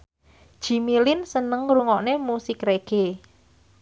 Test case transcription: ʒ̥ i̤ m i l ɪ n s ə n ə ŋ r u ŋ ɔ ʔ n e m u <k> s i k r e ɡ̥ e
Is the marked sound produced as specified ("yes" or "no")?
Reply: no